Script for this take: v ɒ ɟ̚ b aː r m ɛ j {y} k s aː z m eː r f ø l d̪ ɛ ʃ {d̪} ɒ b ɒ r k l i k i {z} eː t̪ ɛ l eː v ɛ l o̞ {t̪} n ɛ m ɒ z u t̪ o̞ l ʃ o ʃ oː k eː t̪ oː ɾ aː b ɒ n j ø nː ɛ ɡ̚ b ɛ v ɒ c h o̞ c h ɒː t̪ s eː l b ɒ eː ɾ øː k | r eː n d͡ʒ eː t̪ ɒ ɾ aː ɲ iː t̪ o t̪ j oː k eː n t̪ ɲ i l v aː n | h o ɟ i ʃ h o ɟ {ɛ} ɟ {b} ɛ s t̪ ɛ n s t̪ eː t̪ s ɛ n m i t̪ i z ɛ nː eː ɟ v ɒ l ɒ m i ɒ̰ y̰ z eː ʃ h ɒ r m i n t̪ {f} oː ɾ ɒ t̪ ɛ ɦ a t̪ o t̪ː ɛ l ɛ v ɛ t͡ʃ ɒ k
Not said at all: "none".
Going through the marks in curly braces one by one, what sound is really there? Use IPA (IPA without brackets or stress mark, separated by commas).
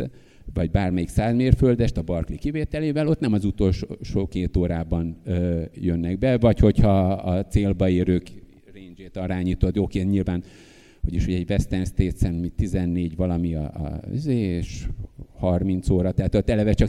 i, t̪, v, t̪, ɛ, v, s